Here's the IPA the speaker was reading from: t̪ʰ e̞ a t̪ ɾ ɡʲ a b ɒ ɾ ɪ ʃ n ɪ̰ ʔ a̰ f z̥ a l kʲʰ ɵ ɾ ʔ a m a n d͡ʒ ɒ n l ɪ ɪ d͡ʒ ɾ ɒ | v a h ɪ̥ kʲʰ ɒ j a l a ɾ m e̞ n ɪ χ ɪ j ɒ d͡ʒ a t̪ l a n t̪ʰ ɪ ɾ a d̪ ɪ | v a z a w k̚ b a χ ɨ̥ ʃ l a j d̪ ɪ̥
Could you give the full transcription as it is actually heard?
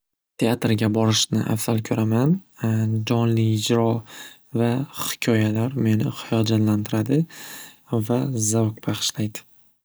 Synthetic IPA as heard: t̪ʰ e̞ a t̪ ɾ ɡʲ a b ɒ ɾ ɪ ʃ n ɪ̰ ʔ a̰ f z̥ a l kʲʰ ɵ ɾ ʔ a m a n d͡ʒ ɒ n l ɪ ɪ d͡ʒ ɾ ɒ | v a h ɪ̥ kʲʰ ɒ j a l a ɾ m e̞ n ɪ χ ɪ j ɒ d͡ʒ a t̪ l a n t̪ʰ ɪ ɾ a d̪ ɪ | v a z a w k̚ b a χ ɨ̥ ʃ l a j d̪ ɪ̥